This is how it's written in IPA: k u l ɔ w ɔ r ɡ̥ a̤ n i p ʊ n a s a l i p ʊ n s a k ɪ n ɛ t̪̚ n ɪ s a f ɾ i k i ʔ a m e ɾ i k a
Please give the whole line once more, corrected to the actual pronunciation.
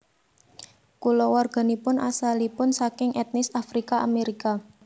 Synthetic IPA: k u l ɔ w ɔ r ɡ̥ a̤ n i p ʊ n a s a l i p ʊ n s a k ɪ ŋ ɛ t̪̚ n ɪ s a f ɾ i k a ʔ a m e ɾ i k a